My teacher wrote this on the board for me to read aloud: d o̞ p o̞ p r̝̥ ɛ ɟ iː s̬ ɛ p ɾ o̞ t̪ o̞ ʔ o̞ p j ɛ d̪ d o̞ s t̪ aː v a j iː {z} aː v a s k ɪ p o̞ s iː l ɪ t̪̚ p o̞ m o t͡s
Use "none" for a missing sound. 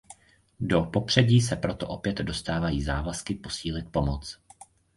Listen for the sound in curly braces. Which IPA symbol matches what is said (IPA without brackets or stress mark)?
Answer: z